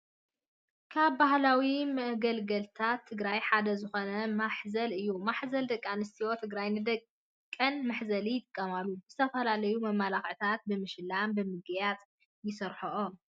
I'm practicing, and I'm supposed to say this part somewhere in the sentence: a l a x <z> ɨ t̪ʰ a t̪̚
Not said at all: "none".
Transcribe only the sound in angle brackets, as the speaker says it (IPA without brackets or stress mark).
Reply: ʕ